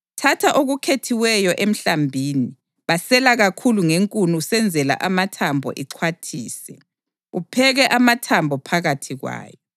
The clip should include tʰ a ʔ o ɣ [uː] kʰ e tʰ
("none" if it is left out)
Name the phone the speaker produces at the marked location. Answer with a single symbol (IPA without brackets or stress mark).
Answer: u